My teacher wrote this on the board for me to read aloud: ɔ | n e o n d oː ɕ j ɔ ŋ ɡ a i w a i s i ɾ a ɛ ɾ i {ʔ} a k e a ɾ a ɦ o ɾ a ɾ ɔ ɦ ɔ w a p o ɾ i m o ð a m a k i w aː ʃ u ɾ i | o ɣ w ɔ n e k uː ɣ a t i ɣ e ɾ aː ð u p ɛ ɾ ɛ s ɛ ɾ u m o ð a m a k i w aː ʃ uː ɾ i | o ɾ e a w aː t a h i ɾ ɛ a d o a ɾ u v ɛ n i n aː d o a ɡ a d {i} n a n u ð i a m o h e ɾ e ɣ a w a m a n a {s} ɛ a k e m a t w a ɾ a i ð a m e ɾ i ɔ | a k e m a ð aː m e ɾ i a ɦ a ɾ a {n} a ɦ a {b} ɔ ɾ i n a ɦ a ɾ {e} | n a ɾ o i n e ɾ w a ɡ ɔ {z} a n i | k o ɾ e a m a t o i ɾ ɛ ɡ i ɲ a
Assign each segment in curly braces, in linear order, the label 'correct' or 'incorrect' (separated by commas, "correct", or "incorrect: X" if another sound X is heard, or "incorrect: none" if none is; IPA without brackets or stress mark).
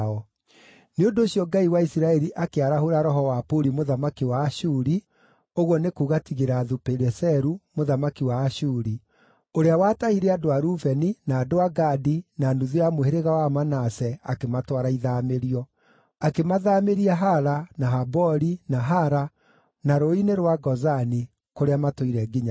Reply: correct, correct, correct, correct, correct, incorrect: a, correct